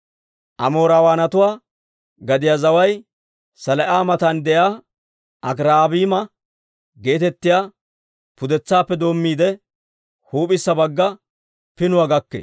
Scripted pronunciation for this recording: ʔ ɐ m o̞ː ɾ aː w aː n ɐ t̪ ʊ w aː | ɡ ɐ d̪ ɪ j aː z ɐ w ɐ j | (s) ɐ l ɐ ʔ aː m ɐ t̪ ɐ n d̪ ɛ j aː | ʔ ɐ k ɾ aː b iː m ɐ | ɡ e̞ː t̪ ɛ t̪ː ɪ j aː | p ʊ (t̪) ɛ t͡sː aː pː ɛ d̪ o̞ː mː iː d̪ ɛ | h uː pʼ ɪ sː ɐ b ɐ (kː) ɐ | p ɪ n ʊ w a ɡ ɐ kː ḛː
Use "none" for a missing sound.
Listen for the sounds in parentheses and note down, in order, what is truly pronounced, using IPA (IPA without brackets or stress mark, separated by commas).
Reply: s, d̪, ɡː